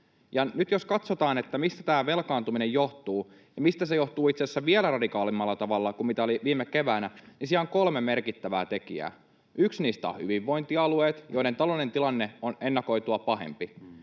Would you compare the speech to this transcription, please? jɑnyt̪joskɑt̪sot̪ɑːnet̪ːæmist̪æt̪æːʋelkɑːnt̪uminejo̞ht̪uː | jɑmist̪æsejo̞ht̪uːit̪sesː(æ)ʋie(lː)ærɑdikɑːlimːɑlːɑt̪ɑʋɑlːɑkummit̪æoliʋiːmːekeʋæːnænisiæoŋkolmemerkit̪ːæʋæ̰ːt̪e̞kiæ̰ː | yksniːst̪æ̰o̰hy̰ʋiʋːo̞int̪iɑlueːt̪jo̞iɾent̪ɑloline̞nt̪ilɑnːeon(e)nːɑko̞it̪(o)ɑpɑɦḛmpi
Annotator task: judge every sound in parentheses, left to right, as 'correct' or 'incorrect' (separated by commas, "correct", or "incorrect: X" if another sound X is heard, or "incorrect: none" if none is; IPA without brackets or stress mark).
correct, incorrect: l, correct, incorrect: u